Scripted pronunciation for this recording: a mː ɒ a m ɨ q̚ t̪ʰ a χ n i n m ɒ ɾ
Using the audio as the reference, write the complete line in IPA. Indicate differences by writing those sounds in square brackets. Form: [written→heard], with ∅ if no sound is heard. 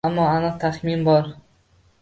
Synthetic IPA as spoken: a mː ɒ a [m→n] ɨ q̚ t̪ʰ a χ [n→m] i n [m→b] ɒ ɾ